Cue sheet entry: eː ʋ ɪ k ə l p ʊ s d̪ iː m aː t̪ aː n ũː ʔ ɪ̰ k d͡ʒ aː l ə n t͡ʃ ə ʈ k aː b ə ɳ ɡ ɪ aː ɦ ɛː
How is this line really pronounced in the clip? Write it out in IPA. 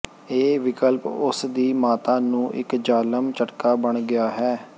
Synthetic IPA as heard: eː ʋ ɪ k ə l p ʊ s d̪ iː m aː t̪ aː n ũː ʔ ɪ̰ k d͡ʒ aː l ə m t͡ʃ ə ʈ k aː b ə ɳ ɡ ɪ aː ɦ ɛː